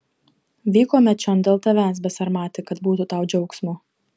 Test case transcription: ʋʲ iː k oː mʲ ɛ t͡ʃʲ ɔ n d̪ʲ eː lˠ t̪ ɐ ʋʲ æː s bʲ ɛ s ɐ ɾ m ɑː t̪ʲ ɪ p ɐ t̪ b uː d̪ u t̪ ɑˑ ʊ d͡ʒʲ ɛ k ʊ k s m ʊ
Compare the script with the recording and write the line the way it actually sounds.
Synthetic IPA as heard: ʋʲ iː k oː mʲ ɛ t͡ʃʲ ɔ n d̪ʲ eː lˠ t̪ ɐ ʋʲ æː s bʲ ɛ s ɐ ɾ m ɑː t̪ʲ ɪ k ɐ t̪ b uː t̪ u t̪ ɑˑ ʊ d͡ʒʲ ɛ ʊ k s m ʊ